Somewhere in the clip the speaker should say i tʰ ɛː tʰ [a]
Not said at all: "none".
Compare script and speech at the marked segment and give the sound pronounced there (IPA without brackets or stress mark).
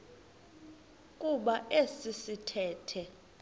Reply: ɛ